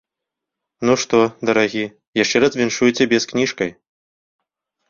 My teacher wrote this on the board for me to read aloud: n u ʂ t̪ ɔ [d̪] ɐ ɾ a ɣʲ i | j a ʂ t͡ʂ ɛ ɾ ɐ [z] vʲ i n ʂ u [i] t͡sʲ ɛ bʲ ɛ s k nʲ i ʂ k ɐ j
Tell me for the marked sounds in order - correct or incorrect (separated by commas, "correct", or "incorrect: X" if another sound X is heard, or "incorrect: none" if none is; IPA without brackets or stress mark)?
correct, correct, incorrect: j